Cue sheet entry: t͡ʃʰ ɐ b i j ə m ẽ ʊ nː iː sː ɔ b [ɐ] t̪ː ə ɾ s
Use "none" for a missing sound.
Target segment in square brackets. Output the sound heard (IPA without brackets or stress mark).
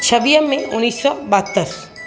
a